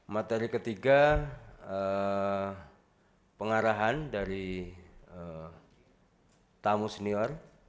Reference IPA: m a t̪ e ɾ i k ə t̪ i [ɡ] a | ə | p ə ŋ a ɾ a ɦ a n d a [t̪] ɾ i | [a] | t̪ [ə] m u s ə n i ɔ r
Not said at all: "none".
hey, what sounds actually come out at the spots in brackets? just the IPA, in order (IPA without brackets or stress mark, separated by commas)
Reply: ɡ, none, ə, a